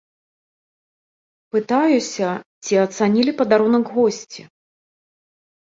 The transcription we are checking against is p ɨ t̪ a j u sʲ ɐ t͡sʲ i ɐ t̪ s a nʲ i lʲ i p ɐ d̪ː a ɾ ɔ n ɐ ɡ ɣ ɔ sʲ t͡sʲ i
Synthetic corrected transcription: p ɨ t̪ a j u sʲ ɐ t͡sʲ i ɐ t̪ s a nʲ i lʲ i p ɐ d̪ a ɾ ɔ n ɐ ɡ ɣ ɔ sʲ t͡sʲ i

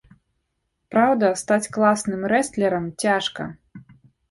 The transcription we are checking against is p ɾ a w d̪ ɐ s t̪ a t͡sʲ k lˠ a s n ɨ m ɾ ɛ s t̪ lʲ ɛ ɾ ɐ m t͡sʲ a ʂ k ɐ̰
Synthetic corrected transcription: p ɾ a w d̪ ɐ s t̪ a t͡sʲ k lˠ a s n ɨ m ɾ ɛ s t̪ lʲ ɛ ɾ ɐ m t͡sʲ a ʂ k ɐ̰

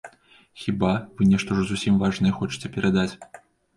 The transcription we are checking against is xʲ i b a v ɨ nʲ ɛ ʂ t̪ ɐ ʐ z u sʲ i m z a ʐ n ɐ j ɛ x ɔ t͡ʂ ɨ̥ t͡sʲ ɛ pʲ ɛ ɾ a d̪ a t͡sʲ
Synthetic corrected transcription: xʲ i b a v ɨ nʲ ɛ ʂ t̪ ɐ ʐ z u sʲ i m v a ʐ n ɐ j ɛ x ɔ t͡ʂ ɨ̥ t͡sʲ ɛ pʲ ɛ ɾ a d̪ a t͡sʲ

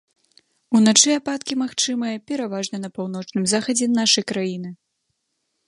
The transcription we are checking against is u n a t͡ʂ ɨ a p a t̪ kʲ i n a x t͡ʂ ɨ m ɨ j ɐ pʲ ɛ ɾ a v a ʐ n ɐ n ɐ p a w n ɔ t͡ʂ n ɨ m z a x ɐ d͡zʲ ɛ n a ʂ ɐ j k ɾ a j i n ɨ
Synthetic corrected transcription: u n a t͡ʂ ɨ a p a t̪ kʲ i m a x t͡ʂ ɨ m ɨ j ɐ pʲ ɛ ɾ a v a ʐ n ɐ n ɐ p a w n ɔ t͡ʂ n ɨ m z a x ɐ d͡zʲ ɛ n a ʂ ɐ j k ɾ a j i n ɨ

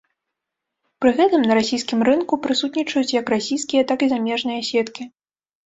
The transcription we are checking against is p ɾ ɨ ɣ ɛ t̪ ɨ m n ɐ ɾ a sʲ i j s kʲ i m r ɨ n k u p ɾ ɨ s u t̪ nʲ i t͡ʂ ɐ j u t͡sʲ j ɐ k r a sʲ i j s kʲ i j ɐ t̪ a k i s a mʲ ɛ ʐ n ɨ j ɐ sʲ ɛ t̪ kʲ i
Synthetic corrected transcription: p ɾ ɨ ɣ ɛ t̪ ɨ m n ɐ ɾ a sʲ i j s kʲ i m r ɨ n k u p ɾ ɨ s u t̪ nʲ i t͡ʂ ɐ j u t͡sʲ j ɐ k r a sʲ i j s kʲ i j ɐ t̪ a k i z a mʲ ɛ ʐ n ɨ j ɐ sʲ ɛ t̪ kʲ i

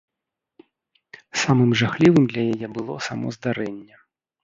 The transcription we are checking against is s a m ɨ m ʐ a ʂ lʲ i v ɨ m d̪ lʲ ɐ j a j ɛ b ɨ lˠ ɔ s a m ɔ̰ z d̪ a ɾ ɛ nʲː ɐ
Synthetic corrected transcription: s a m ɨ m ʐ a x lʲ i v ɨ m d̪ lʲ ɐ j a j ɛ b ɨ lˠ ɔ s a m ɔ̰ z d̪ a ɾ ɛ nʲː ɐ

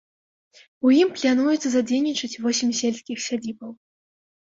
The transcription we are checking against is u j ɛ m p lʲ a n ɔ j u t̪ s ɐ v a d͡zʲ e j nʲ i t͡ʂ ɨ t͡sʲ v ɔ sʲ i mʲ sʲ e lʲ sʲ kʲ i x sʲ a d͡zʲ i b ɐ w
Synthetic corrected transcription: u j i m p lʲ a n u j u t̪ s ɐ z a d͡zʲ e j nʲ i t͡ʂ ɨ t͡sʲ v ɔ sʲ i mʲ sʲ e lʲ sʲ kʲ i x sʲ a d͡zʲ i b ɐ w

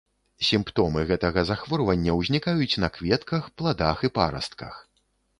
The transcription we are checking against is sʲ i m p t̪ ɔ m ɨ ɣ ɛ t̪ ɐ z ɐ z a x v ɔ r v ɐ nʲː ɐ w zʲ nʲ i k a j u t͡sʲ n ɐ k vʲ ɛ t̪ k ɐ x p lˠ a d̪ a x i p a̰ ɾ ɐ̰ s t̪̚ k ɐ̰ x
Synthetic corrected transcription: sʲ i m p t̪ ɔ m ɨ ɣ ɛ t̪ ɐ ɣ ɐ z a x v ɔ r v ɐ nʲː ɐ w zʲ nʲ i k a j u t͡sʲ n ɐ k vʲ ɛ t̪ k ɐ x p lˠ a d̪ a x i p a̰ ɾ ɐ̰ s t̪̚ k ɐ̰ x

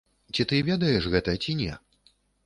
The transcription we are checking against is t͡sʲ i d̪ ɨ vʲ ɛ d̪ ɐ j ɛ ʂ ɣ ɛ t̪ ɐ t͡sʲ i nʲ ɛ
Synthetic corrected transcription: t͡sʲ i t̪ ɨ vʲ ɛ d̪ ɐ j ɛ ʂ ɣ ɛ t̪ ɐ t͡sʲ i nʲ ɛ

